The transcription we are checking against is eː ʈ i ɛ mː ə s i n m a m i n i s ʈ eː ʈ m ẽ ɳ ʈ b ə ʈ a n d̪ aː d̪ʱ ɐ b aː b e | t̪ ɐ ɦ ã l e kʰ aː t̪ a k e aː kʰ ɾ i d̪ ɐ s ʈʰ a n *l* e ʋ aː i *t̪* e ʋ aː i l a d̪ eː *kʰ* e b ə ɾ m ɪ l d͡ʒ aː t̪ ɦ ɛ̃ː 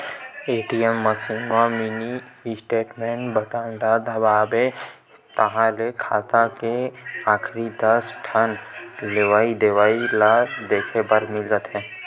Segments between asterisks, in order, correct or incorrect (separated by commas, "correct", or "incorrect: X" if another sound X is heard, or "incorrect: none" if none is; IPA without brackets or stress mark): correct, incorrect: d̪, correct